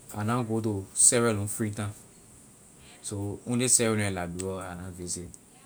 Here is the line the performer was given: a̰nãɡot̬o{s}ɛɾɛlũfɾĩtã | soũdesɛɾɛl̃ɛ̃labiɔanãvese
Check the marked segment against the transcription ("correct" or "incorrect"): correct